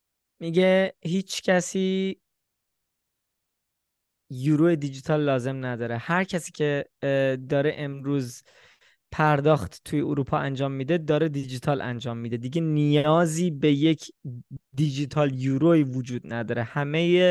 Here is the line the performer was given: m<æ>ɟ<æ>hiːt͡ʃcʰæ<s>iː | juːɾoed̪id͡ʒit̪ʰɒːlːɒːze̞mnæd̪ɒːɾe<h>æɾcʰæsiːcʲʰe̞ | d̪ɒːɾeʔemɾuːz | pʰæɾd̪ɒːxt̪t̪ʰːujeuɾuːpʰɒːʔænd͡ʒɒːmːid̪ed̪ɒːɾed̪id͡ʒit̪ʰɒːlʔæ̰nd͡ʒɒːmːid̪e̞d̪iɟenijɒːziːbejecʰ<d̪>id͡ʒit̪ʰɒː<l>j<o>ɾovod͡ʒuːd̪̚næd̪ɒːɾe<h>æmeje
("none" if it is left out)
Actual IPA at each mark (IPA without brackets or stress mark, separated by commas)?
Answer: i, e, s, h, d̪, l, u, h